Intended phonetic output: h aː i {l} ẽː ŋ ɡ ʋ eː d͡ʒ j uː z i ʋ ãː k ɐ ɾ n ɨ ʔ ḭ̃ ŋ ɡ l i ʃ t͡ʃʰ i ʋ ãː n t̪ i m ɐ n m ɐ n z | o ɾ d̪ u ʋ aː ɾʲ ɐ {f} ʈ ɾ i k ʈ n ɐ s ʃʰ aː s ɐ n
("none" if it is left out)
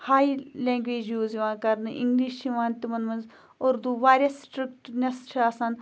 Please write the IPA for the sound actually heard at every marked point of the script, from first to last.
l, s

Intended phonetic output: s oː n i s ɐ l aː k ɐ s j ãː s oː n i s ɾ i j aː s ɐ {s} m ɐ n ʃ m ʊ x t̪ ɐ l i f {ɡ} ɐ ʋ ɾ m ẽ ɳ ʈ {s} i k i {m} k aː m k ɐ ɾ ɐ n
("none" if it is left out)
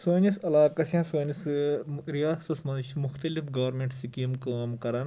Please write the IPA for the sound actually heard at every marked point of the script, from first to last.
s, ɡ, s, m

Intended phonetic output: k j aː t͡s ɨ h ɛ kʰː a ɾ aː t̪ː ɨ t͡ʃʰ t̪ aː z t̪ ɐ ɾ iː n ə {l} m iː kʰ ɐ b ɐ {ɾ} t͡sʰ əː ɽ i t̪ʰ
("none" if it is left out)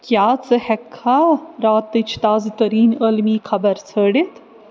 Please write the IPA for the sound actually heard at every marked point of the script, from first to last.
l, ɾ

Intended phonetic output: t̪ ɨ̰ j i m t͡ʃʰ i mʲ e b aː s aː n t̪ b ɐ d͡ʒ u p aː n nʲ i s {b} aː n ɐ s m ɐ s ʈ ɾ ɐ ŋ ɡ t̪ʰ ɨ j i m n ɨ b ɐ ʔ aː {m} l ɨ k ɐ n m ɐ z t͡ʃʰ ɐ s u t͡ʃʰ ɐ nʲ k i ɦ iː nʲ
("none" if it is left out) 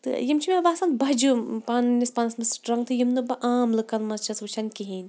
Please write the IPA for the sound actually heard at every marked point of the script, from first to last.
p, m

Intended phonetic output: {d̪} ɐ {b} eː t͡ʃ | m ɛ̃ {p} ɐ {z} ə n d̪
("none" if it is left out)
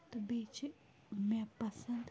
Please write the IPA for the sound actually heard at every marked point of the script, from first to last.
t̪, b, p, s

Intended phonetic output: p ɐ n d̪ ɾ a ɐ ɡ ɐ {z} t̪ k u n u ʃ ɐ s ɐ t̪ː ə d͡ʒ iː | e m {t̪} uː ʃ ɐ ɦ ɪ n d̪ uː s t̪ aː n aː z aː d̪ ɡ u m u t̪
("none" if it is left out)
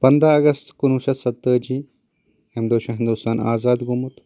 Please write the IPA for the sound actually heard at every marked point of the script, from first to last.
s, d̪

